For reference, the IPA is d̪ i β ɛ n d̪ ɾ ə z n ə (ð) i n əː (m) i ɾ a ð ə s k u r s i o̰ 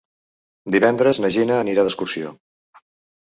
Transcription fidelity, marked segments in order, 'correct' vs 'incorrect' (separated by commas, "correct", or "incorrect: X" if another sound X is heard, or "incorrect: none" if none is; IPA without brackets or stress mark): incorrect: ʒ, incorrect: n